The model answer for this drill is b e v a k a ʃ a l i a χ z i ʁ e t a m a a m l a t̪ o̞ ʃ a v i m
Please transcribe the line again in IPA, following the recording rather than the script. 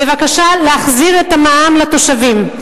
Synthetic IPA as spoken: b e v a k a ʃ a l e a χ z i ʁ e t a m a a m l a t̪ o̞ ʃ a v i m